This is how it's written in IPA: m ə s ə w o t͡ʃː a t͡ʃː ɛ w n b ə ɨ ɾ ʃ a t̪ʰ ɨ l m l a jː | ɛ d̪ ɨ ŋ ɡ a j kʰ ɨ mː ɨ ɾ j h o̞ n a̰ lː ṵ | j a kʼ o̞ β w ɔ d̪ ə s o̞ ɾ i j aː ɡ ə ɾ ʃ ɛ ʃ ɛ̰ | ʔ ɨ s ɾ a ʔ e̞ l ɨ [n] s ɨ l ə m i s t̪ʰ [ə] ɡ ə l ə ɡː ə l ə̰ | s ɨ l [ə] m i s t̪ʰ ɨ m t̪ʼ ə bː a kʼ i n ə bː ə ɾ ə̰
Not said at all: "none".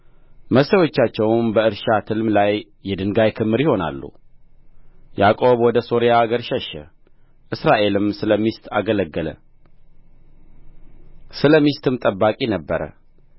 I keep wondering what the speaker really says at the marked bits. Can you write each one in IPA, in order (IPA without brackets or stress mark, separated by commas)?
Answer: m, a, ə